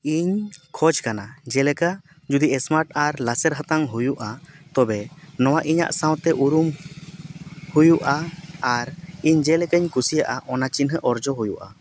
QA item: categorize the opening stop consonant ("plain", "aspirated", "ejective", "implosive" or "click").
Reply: aspirated